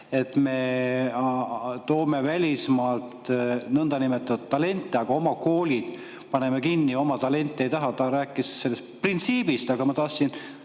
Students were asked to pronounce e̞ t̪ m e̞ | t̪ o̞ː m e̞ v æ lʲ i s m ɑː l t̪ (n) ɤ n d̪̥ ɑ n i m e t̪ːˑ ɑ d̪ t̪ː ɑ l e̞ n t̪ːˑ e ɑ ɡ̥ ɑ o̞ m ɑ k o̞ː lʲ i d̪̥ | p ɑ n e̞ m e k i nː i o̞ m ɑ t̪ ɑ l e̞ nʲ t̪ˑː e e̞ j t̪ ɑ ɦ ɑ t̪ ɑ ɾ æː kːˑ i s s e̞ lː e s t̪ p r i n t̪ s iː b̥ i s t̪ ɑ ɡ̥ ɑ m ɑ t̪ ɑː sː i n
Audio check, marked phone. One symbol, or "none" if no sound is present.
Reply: n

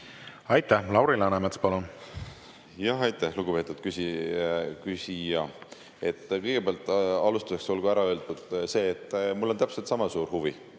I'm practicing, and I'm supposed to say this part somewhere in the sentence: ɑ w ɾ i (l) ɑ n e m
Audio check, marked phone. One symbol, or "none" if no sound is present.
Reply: l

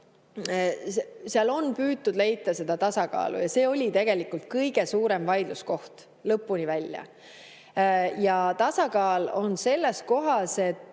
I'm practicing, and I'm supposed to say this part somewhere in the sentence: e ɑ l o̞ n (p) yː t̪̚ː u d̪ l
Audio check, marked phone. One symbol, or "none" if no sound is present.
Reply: p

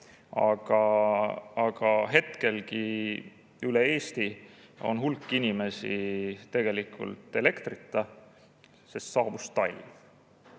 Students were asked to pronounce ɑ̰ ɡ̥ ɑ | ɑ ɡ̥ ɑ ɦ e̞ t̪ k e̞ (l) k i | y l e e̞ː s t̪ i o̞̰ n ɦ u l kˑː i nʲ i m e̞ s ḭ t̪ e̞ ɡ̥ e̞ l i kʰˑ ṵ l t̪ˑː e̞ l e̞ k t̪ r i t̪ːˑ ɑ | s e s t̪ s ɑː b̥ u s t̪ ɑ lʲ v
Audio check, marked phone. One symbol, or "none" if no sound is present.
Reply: l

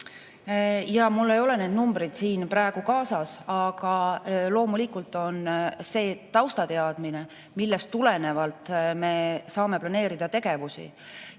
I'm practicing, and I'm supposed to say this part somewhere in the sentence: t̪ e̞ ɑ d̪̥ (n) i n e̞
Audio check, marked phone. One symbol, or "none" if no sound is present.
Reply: m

